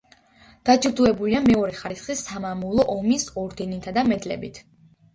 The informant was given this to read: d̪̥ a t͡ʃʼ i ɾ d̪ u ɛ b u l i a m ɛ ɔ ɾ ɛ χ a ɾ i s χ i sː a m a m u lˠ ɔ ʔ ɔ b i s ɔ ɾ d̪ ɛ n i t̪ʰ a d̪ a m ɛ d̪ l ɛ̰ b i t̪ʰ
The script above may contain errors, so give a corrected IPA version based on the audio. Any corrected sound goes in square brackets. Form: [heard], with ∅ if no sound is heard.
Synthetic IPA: d̪̥ a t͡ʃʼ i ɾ d̪ u ɛ b u l i a m ɛ ɔ ɾ ɛ χ a ɾ i s χ i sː a m a m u lˠ ɔ ʔ ɔ [m] i s ɔ ɾ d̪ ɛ n i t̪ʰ a d̪ a m ɛ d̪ l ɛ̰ b i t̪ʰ